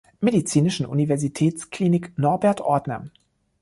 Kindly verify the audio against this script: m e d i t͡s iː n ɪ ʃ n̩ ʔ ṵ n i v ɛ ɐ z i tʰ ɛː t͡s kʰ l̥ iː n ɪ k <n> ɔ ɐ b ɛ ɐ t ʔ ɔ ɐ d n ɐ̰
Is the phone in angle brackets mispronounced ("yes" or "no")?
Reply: no